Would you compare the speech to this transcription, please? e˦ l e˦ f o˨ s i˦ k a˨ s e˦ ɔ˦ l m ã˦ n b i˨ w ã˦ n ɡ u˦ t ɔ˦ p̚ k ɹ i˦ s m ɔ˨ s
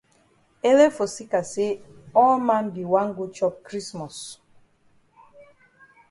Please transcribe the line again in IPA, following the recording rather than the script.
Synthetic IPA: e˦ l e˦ f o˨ s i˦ k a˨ s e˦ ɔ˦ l m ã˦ n b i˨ w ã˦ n ɡ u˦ t͡ʃ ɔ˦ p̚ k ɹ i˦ s m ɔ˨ s